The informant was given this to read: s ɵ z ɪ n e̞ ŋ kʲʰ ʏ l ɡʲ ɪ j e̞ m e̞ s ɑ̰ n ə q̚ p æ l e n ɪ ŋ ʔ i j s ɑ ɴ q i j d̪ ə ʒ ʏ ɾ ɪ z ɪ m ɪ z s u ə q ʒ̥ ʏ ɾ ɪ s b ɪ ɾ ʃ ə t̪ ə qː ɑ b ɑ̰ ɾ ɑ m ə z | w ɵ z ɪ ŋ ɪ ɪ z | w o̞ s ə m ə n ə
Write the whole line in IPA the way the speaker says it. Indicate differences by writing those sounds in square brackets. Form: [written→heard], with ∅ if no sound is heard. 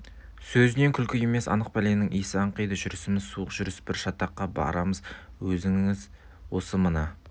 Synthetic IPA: s ɵ z ɪ n e̞ ŋ kʲʰ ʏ l [ɡʲ→kʲ] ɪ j e̞ m e̞ s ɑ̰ n ə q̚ p æ l e n ɪ ŋ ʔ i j s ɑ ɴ q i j d̪ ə ʒ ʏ ɾ ɪ [z→s] ɪ m ɪ z s u ə q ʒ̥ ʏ ɾ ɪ s b ɪ ɾ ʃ [ə→ɑ] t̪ [ə→ɑ] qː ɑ b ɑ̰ ɾ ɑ m ə z | w ɵ z ɪ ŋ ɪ ɪ z | w o̞ s ə m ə n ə